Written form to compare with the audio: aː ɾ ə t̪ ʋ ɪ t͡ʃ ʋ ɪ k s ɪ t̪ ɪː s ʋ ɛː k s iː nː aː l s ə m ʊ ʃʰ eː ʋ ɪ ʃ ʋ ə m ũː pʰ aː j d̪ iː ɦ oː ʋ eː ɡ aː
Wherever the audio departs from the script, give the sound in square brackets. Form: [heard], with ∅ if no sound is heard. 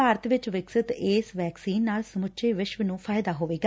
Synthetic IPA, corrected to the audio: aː ɾ ə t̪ ʋ ɪ t͡ʃ ʋ ɪ k s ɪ t̪ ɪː s ʋ ɛː k s iː nː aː l s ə m ʊ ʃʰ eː ʋ ɪ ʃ ʋ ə [n] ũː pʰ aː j d̪ [aː] ɦ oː ʋ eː ɡ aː